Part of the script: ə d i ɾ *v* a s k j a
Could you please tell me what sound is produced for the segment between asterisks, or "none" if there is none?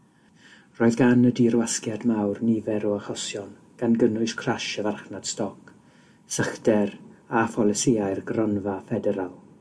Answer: w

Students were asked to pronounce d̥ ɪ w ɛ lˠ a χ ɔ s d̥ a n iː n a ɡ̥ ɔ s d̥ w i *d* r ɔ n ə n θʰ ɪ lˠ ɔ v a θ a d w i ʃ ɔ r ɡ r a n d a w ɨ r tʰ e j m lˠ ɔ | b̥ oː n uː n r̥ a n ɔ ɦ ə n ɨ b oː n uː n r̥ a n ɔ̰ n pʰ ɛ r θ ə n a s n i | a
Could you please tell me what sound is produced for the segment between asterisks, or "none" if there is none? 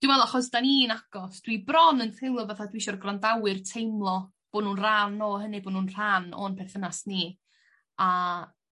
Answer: b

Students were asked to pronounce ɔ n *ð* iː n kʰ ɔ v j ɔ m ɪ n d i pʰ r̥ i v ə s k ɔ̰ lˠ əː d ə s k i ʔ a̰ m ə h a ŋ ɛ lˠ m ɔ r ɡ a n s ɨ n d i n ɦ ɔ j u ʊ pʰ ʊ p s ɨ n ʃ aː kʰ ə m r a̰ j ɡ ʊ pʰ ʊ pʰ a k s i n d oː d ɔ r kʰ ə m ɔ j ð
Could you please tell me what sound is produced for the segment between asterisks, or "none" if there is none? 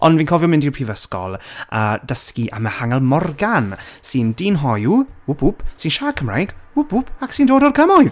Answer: v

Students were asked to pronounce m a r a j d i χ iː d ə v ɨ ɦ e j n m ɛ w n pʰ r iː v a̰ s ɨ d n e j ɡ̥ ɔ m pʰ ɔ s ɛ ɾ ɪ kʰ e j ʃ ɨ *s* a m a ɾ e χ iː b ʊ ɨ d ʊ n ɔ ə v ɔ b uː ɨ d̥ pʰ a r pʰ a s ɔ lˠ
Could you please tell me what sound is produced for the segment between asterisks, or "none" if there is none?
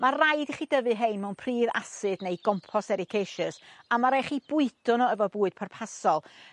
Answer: s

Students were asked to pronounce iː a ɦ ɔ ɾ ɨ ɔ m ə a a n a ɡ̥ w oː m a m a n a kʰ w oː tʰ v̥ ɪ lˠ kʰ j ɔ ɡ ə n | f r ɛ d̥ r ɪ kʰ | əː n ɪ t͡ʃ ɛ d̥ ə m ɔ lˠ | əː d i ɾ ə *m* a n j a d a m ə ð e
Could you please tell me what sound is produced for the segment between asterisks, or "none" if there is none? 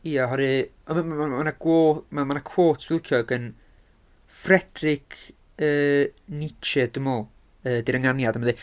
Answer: ŋ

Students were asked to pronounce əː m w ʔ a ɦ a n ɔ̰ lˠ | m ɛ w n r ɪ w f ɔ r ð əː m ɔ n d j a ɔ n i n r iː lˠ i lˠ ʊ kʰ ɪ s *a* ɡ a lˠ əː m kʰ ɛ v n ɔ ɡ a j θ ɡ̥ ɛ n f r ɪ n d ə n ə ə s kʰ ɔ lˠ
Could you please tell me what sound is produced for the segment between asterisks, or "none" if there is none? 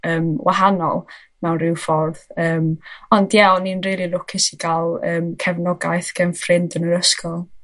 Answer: i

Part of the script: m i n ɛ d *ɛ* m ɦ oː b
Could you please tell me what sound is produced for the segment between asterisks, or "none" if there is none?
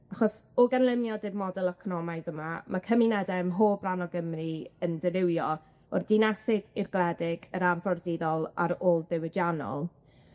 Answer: ɛ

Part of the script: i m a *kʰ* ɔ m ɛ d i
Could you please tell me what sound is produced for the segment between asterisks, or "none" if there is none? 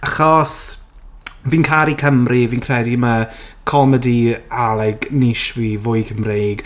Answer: kʰ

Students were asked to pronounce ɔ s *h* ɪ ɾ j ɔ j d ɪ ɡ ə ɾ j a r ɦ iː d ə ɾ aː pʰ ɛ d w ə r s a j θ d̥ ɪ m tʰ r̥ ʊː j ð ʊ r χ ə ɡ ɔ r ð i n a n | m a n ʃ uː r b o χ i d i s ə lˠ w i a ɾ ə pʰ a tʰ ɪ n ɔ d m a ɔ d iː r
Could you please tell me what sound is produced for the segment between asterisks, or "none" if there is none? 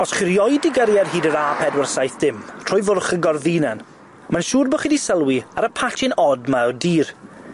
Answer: χ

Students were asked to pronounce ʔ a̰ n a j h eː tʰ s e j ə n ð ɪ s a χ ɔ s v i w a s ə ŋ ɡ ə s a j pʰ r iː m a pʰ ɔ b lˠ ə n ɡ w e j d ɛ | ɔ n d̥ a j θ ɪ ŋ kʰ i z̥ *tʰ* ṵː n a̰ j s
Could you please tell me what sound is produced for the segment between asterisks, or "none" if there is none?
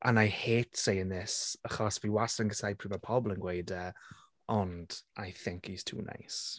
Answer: tʰ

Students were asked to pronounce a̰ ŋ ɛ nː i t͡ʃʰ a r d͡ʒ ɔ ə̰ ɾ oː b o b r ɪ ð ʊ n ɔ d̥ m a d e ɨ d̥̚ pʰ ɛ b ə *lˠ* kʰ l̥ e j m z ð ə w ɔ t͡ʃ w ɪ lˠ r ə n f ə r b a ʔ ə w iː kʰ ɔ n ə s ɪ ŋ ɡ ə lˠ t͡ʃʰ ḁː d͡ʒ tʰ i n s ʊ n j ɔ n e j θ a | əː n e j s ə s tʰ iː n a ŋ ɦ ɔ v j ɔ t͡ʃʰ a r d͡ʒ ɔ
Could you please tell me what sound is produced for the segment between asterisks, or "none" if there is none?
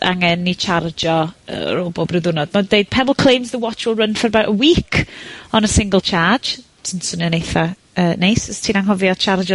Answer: lˠ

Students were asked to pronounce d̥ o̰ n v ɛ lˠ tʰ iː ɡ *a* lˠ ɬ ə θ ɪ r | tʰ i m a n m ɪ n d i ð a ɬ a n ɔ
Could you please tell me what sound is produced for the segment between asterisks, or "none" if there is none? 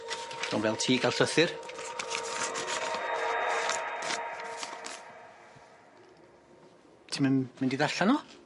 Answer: a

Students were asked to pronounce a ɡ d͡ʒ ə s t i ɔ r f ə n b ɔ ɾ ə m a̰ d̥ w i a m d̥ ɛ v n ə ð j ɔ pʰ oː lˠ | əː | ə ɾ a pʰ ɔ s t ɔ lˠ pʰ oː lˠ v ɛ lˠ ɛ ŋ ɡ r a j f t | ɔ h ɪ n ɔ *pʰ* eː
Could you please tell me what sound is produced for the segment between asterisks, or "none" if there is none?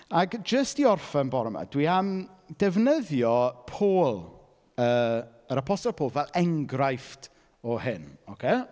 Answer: kʰ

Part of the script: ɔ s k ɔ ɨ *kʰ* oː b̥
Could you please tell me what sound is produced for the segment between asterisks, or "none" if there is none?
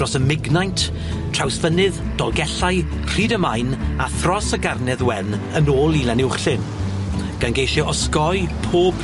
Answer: pʰ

